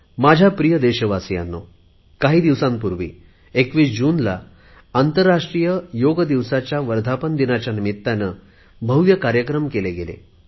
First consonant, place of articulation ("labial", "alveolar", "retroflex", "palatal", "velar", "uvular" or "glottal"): labial